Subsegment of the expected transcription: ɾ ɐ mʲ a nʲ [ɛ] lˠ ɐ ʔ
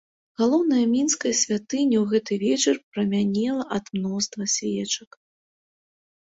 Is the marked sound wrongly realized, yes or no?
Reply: no